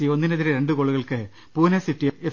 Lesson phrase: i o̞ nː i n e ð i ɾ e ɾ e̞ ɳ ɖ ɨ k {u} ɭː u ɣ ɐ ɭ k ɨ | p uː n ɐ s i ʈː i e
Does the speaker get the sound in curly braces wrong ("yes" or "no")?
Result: yes